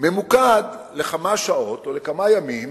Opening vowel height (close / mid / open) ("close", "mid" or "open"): mid